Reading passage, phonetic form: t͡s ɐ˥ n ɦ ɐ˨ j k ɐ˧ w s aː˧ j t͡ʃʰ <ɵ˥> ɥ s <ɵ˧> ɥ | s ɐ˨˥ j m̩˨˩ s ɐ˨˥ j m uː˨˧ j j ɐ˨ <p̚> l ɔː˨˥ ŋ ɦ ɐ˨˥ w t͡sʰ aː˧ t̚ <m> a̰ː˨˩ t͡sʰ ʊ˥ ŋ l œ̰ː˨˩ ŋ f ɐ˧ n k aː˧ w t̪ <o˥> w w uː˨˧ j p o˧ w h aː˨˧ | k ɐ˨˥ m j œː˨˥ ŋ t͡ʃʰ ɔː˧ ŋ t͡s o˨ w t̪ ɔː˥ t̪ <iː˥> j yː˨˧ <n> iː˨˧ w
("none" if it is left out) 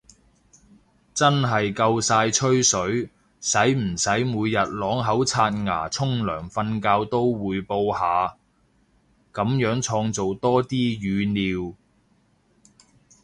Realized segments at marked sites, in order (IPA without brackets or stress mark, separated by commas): ɵ˥, ɵ˨˥, t̚, ŋ, o˥, iː˥, n